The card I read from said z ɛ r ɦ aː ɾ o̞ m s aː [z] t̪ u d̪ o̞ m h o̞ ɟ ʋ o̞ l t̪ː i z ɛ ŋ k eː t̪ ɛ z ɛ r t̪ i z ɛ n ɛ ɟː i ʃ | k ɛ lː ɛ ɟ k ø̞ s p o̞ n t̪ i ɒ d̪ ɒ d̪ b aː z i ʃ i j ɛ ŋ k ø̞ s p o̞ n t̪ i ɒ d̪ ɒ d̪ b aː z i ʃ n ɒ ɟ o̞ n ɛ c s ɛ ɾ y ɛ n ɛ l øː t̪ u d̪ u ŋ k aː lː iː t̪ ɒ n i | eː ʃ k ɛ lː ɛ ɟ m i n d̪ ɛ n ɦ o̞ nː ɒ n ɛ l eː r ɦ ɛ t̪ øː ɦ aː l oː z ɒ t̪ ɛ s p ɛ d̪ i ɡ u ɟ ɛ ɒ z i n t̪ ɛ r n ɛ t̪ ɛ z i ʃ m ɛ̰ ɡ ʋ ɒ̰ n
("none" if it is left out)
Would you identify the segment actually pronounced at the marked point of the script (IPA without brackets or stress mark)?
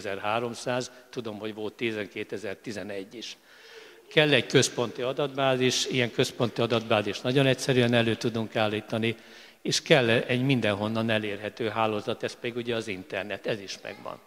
z